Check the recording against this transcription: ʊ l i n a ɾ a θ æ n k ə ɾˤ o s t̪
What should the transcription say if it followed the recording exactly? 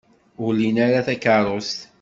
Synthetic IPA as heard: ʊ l i n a ɾ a θ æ k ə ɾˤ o s t̪